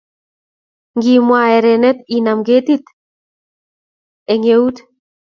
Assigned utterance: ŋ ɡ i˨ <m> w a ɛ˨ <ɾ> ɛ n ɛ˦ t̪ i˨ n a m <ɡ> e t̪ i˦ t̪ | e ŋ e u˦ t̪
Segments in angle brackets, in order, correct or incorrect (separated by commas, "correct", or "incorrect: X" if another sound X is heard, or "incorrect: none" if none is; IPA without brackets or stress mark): correct, correct, correct